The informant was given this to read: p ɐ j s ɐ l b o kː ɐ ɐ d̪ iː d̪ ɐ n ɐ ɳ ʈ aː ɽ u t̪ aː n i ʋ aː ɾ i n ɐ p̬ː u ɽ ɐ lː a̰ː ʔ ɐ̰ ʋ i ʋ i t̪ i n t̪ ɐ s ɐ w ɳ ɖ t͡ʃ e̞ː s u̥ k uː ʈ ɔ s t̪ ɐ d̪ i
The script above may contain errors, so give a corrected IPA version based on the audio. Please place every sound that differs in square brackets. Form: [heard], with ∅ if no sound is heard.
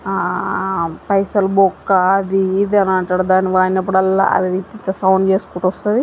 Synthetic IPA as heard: p ɐ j s ɐ l b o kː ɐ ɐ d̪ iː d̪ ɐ n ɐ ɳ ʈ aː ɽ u [d̪] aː n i ʋ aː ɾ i n ɐ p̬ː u ɽ ɐ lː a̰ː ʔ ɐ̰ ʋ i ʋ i t̪ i n t̪ ɐ s ɐ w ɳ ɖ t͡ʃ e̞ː s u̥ k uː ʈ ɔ s t̪ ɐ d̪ i